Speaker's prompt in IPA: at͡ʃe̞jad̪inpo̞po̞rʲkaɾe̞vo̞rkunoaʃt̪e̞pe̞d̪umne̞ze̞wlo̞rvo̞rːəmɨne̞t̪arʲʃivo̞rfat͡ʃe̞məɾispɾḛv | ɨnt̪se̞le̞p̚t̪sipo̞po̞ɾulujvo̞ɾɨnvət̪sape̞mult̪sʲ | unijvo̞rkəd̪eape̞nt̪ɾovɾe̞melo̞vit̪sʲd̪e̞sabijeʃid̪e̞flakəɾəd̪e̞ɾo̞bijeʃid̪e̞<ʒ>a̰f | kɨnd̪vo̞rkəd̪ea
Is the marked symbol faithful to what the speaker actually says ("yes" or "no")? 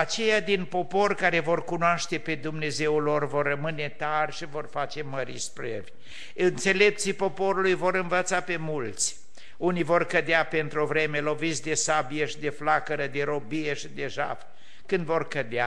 yes